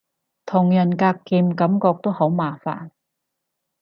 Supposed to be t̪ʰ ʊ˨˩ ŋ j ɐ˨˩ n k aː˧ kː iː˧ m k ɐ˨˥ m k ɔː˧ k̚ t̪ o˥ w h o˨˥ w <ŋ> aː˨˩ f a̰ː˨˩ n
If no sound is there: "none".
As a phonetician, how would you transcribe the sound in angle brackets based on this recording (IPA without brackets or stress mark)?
m